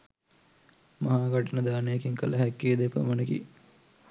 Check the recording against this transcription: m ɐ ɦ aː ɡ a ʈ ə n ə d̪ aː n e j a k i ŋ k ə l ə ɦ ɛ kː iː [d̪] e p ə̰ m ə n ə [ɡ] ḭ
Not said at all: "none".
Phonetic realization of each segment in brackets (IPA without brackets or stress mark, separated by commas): d̪, k